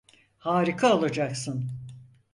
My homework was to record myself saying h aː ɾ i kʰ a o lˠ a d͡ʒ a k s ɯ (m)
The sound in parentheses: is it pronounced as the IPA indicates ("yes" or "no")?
no